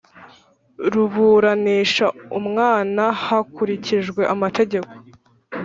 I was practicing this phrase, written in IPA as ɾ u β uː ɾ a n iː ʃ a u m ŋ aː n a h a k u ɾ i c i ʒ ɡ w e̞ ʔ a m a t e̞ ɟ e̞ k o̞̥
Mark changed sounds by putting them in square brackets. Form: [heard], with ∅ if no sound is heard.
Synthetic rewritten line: ɾ u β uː ɾ a n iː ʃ a u m ŋ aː n a h a k u ɾ i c i ʒ ɡ w e̞ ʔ a m a t e̞ ɟ e̞ k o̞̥